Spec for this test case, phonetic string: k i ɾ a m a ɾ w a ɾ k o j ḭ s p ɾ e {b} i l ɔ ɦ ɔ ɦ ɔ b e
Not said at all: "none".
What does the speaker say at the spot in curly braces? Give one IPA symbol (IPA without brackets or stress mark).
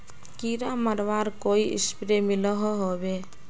m